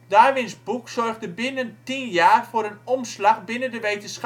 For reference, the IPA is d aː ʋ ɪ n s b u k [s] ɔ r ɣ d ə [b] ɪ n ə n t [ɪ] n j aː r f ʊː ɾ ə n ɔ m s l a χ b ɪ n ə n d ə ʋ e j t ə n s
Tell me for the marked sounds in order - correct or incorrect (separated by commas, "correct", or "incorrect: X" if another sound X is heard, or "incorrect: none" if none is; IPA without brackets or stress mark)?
correct, correct, incorrect: i